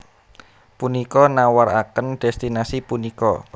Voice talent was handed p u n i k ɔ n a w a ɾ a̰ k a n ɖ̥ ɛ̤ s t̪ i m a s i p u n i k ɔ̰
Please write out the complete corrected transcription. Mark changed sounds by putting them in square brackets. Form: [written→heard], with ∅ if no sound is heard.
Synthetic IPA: p u n i k ɔ n a w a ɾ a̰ k [a→ə] n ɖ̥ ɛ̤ s t̪ i [m→n] a s i p u n i k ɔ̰